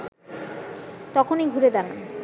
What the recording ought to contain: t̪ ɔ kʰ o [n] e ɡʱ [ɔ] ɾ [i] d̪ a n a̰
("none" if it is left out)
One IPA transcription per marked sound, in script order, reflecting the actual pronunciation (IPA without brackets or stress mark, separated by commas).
n, u, e